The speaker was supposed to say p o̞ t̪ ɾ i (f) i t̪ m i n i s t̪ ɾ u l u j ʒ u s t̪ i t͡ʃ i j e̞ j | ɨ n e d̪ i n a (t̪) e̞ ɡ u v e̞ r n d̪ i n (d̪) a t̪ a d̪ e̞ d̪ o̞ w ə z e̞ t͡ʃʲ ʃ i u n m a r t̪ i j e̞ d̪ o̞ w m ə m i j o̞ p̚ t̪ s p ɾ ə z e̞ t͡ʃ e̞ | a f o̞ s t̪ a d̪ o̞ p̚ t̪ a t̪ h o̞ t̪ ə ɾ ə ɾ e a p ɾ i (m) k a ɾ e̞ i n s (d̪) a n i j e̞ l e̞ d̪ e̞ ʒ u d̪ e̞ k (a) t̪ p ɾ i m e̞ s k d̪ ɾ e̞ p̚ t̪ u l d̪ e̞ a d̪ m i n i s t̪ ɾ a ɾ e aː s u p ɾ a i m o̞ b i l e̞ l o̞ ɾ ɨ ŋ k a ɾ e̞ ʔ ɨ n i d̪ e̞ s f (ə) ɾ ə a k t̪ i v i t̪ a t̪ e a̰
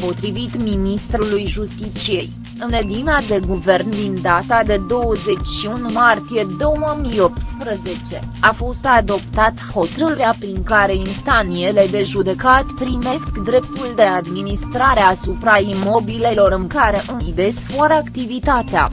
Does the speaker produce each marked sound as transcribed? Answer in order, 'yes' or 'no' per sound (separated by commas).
no, no, yes, no, no, yes, no